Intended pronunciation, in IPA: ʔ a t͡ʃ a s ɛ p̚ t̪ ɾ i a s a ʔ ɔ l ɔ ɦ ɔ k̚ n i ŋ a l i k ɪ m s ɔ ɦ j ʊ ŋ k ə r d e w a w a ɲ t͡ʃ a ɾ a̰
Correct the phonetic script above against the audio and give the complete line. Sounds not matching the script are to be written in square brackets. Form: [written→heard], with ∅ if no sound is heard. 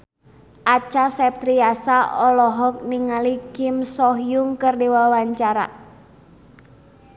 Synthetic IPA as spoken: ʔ a t͡ʃ a s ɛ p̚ t̪ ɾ i a s a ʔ ɔ l ɔ ɦ ɔ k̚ n i ŋ a l i k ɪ m s ɔ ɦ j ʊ ŋ k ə r d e w a w a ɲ t͡ʃ a ɾ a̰